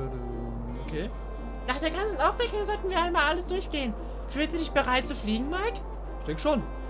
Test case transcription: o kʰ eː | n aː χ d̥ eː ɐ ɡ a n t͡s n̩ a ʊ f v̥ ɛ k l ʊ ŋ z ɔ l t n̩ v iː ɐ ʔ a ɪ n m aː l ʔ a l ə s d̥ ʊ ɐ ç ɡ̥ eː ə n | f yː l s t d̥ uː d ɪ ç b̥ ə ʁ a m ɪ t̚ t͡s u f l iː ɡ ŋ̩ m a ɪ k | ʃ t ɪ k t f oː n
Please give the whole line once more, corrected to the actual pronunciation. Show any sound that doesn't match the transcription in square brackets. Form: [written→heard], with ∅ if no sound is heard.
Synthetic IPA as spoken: o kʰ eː | n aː χ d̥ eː ɐ ɡ a n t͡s n̩ a ʊ f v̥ ɛ k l ʊ ŋ z ɔ l t n̩ v iː ɐ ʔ a ɪ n m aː l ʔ a l ə s d̥ ʊ ɐ ç ɡ̥ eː ə n | f yː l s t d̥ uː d ɪ ç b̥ ə ʁ a [m→∅] ɪ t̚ t͡s u f l iː ɡ ŋ̩ m a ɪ k | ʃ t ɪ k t [f→ʃ] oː n

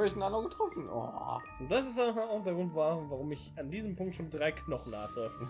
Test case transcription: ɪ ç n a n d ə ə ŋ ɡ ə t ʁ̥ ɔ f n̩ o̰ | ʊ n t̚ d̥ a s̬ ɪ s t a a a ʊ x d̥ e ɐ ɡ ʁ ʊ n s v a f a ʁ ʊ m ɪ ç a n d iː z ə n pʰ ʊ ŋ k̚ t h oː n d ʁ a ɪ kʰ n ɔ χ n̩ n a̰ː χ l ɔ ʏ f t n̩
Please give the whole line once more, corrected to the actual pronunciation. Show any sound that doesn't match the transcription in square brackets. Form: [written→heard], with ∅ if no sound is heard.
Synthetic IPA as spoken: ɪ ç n a n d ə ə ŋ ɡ ə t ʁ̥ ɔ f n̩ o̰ | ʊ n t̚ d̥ a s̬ ɪ s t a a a ʊ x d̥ e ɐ ɡ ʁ ʊ n [s→t] v a [f→v] a ʁ ʊ m ɪ ç a n d iː z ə [n→m] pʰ ʊ ŋ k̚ t [h→ʃ] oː n d ʁ a ɪ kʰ n ɔ χ n̩ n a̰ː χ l ɔ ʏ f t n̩

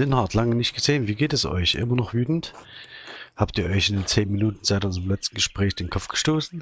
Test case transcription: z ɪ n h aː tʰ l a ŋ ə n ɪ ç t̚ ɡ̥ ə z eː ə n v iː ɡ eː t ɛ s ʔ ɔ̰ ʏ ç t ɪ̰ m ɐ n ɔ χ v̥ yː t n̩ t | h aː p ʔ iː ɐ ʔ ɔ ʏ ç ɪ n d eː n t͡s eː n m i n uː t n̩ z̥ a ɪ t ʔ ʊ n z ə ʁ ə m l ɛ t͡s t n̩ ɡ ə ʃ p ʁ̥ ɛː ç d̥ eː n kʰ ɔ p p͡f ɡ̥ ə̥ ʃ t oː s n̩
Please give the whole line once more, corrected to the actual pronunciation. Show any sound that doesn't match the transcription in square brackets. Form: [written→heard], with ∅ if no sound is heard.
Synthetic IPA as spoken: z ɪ n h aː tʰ l a ŋ ə n ɪ ç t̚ ɡ̥ ə z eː ə n v iː ɡ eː t ɛ s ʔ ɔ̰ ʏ ç [t→ʔ] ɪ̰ m ɐ n ɔ χ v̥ yː t n̩ t | h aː p [ʔ→t] iː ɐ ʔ ɔ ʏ ç ɪ n d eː n t͡s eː n m i n uː t n̩ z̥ a ɪ t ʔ ʊ n z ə ʁ ə m l ɛ t͡s t n̩ ɡ ə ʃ p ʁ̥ ɛː ç d̥ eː n kʰ ɔ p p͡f ɡ̥ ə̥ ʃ t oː s n̩

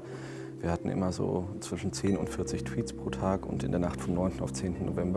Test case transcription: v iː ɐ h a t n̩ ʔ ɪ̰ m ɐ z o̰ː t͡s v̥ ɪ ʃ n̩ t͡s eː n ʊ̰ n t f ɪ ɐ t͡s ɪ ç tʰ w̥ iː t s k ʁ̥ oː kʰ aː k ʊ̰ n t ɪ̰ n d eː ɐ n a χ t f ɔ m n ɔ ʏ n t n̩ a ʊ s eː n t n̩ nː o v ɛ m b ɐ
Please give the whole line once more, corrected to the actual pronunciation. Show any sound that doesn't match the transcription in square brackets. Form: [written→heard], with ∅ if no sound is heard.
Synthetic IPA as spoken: v iː ɐ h a t n̩ ʔ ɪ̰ m ɐ z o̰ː t͡s v̥ ɪ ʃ n̩ t͡s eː n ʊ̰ n t f ɪ ɐ t͡s ɪ ç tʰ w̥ iː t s [k→p] ʁ̥ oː [kʰ→tʰ] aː k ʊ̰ n t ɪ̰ n d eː ɐ n a χ t f ɔ m n ɔ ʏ n t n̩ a ʊ [s→t͡s] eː n t n̩ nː o v ɛ m b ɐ

